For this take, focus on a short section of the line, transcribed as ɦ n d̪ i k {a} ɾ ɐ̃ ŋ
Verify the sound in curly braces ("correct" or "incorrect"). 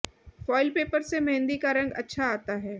correct